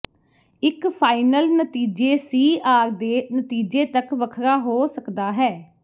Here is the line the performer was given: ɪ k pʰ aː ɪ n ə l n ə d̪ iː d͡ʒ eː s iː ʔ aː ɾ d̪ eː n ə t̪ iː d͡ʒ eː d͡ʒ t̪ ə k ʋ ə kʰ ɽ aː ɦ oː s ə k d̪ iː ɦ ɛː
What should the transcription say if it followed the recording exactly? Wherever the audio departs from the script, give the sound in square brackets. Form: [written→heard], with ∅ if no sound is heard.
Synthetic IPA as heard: ɪ k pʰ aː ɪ n ə l n ə [d̪→t̪] iː d͡ʒ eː s iː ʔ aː ɾ d̪ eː n ə t̪ iː d͡ʒ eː [d͡ʒ→∅] t̪ ə k ʋ ə kʰ [ɽ→ɾ] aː ɦ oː s ə k d̪ [iː→aː] ɦ ɛː

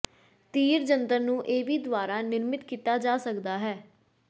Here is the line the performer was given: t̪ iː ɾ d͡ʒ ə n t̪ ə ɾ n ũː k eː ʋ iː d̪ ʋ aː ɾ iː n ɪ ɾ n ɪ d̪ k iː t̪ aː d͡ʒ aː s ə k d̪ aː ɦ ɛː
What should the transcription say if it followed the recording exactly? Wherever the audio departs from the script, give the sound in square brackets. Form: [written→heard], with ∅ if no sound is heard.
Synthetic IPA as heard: t̪ iː ɾ d͡ʒ ə n t̪ ə ɾ n ũː [k→ʔ] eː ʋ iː d̪ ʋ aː ɾ [iː→aː] n ɪ ɾ [n→m] ɪ [d̪→t̪] k iː t̪ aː d͡ʒ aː s ə k d̪ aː ɦ ɛː

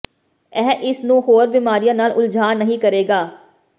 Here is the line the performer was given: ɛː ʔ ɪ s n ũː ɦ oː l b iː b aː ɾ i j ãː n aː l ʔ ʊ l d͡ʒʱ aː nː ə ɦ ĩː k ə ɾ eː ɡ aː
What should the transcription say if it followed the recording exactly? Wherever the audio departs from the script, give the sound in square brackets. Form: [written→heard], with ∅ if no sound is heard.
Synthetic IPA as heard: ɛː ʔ ɪ s n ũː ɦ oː [l→ɾ] b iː [b→m] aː ɾ i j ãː n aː l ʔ ʊ l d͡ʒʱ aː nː ə ɦ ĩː k ə ɾ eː ɡ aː

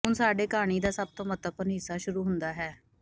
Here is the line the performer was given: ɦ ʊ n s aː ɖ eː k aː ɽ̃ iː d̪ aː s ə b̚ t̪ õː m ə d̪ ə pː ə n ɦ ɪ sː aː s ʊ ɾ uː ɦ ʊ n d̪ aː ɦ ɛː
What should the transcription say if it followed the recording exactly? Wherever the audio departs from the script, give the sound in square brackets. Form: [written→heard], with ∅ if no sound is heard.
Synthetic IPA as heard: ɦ ʊ n s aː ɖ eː k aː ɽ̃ iː d̪ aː s ə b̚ t̪ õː m ə [d̪→t̪] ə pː ə n ɦ ɪ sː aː [s→ʃ] ʊ ɾ uː ɦ ʊ n d̪ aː ɦ ɛː

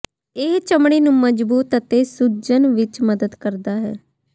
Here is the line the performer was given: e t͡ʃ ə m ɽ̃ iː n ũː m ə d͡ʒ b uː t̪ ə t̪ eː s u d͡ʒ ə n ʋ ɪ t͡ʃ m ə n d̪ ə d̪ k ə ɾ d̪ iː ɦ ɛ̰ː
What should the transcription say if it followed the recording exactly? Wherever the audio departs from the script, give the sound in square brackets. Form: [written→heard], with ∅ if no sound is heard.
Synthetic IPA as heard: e t͡ʃ ə m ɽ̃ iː n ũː m ə d͡ʒ b uː t̪ ə t̪ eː s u d͡ʒ ə n ʋ ɪ t͡ʃ m ə [n→∅] d̪ ə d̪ k ə ɾ d̪ [iː→aː] ɦ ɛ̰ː

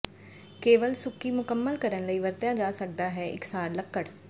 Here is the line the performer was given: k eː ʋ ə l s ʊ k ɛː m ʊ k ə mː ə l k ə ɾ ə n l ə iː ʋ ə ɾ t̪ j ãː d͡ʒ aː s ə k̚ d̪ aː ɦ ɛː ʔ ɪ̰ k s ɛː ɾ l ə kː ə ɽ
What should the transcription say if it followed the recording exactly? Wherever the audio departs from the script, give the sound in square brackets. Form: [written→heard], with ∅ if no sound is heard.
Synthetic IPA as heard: k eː ʋ ə l s ʊ k [ɛː→iː] m ʊ k ə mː ə l k ə ɾ ə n l ə iː ʋ ə ɾ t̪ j ãː d͡ʒ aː s ə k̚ d̪ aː ɦ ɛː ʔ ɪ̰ k s [ɛː→aː] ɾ l ə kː ə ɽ

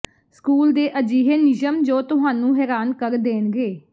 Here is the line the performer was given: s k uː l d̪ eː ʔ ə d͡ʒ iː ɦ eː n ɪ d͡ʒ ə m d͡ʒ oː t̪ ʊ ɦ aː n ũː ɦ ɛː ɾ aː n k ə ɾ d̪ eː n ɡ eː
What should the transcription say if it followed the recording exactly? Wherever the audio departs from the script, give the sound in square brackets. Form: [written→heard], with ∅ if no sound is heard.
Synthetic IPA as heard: s k uː l d̪ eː ʔ ə d͡ʒ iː ɦ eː n ɪ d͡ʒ ə m d͡ʒ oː t̪ ʊ ɦ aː n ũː ɦ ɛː ɾ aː n k ə ɾ d̪ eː n ɡ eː

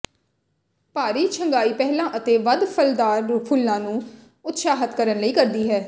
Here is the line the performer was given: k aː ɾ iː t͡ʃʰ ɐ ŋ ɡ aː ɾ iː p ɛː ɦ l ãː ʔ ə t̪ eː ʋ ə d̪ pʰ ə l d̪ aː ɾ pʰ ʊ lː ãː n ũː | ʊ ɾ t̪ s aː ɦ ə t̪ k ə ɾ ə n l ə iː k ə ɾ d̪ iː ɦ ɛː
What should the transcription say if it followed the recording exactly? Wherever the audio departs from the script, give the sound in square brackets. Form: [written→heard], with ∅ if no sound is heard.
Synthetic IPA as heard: [k→p] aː ɾ iː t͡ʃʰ [ɐ→ə] ŋ ɡ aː [ɾ→∅] iː p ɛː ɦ l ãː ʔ ə t̪ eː ʋ ə d̪ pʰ ə l d̪ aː ɾ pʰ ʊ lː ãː n ũː | ʊ [ɾ→∅] t̪ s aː ɦ ə t̪ k ə ɾ ə n l ə iː k ə ɾ d̪ iː ɦ ɛː

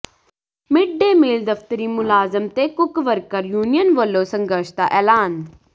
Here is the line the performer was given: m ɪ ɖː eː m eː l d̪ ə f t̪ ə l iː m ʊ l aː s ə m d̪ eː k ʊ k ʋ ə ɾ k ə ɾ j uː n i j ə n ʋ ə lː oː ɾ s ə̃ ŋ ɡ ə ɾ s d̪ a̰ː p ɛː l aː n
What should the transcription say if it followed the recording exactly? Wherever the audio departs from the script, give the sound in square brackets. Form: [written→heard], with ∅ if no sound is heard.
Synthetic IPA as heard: m ɪ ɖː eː m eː l d̪ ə f t̪ ə [l→ɾ] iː m ʊ l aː [s→z] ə m [d̪→t̪] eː k ʊ k ʋ ə ɾ k ə ɾ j uː n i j ə n ʋ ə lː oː [ɾ→∅] s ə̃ ŋ ɡ ə ɾ [s→ʃ] d̪ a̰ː [p→ʔ] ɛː l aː n

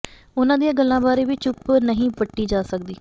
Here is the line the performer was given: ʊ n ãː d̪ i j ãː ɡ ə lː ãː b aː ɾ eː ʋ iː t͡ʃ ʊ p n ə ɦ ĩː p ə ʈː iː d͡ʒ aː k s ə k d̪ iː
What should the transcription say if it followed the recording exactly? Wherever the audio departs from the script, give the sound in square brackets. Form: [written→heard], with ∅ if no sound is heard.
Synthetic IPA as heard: ʊ n ãː d̪ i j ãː ɡ ə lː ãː b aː ɾ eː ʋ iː t͡ʃ ʊ p n ə ɦ ĩː p ə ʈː iː d͡ʒ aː [k→∅] s ə k d̪ iː

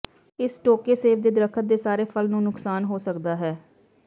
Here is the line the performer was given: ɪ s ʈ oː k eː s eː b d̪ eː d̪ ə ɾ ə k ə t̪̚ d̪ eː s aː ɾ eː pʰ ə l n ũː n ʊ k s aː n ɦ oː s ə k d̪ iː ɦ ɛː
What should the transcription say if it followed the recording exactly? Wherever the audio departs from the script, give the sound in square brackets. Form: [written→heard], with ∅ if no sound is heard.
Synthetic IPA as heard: ɪ s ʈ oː k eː s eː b d̪ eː d̪ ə ɾ ə [k→kʰ] ə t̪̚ d̪ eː s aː ɾ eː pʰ ə l n ũː n ʊ k s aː n ɦ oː s ə k d̪ [iː→aː] ɦ ɛː

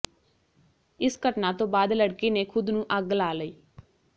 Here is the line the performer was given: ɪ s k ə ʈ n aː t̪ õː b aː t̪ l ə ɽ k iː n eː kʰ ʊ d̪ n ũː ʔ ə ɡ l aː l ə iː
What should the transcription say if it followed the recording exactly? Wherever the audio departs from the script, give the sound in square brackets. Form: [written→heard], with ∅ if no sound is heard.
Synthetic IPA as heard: ɪ s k ə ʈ n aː t̪ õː b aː [t̪→d̪] l ə ɽ k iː n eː kʰ ʊ d̪ n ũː ʔ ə ɡ l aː l ə iː

